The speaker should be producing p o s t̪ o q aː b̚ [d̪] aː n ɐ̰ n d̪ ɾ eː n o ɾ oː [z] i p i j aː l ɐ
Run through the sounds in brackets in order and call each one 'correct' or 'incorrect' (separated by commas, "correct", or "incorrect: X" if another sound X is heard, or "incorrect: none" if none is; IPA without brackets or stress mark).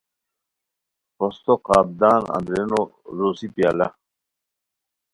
correct, incorrect: s